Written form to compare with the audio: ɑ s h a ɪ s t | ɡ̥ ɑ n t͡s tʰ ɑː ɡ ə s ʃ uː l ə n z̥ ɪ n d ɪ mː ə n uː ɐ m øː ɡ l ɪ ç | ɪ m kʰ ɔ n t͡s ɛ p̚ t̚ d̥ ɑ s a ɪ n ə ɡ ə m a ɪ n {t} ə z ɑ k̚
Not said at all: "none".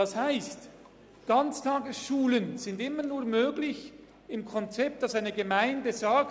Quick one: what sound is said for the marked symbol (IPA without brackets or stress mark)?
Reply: d